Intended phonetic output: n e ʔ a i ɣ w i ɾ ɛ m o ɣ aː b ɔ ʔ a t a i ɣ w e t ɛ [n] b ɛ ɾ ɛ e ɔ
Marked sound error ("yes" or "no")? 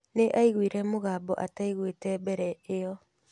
yes